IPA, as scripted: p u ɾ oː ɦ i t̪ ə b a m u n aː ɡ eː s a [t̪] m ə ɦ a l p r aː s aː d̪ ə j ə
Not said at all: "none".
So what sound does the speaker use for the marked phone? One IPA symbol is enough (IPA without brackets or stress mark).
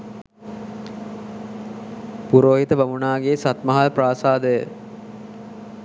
t̪